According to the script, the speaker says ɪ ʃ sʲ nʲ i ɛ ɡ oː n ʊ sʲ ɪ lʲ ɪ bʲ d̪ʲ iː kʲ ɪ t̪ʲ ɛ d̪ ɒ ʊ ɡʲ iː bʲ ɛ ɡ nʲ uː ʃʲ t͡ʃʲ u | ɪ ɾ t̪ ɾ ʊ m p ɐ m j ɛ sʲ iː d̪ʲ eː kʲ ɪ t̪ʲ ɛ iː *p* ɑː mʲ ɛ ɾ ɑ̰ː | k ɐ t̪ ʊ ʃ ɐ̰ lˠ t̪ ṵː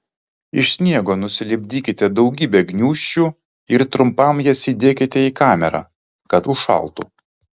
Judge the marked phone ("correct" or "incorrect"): incorrect